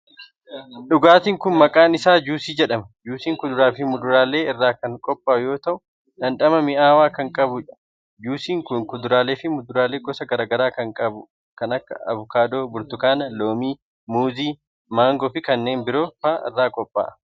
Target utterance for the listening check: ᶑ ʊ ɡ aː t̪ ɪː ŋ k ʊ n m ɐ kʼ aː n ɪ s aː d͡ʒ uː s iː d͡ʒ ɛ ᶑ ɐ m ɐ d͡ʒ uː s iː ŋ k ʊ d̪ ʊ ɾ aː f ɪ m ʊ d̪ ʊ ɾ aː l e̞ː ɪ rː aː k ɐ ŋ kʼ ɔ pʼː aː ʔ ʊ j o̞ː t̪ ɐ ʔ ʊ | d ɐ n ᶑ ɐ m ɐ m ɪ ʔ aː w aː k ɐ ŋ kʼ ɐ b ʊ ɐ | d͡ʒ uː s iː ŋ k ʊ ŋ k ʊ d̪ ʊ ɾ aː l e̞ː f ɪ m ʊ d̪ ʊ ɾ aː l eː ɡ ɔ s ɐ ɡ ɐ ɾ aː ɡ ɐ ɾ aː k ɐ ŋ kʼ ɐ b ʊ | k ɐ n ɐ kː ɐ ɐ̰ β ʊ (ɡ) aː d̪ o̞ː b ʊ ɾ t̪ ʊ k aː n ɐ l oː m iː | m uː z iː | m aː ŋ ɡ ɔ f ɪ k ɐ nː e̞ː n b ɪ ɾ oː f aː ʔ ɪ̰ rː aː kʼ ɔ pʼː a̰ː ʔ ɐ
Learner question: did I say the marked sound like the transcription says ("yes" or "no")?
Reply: no